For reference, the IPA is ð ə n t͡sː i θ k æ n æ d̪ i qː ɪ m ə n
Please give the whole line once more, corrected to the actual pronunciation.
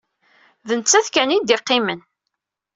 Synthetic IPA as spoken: ð ə n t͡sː æ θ k æ n i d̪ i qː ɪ m ə n

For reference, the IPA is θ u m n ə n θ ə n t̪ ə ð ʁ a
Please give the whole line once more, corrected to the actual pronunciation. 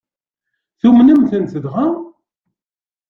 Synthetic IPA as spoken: θ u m n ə m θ ə n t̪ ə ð ʁ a

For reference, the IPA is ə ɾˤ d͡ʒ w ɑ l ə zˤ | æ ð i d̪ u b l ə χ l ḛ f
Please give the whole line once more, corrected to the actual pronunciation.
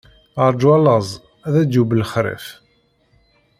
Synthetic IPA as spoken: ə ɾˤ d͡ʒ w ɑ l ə zˤ | æ ð æ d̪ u b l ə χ ɾ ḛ f

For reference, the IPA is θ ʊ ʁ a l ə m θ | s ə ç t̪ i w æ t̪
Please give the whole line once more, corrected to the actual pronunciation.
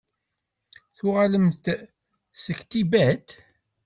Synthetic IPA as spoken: θ ʊ ʁ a l ə m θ | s ə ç t̪ i b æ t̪

